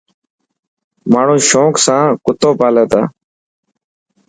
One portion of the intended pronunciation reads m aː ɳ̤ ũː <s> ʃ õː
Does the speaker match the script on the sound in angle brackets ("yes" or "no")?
no